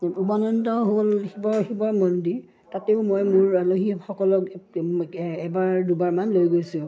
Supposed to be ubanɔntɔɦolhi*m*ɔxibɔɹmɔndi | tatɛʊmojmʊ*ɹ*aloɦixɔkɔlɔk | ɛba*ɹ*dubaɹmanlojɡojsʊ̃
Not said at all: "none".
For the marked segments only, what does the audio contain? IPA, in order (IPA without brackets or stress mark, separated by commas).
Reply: b, ɹ, ɹ